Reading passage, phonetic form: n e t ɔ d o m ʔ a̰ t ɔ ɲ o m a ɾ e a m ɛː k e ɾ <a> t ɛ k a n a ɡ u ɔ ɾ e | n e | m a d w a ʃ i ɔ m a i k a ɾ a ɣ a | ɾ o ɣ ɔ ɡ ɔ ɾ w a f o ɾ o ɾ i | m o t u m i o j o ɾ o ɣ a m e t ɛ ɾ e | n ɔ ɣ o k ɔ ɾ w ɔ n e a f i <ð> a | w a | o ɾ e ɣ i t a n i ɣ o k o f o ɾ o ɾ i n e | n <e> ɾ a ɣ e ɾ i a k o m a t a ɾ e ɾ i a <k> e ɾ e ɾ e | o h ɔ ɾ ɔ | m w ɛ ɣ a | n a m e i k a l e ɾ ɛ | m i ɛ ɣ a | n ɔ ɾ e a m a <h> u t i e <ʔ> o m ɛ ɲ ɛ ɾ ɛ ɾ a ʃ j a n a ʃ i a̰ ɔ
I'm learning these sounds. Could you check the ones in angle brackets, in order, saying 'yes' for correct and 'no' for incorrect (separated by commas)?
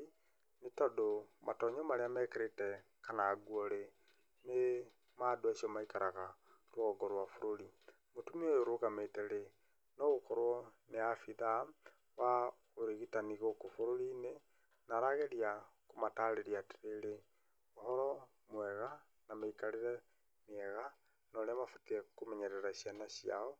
no, yes, no, no, no, no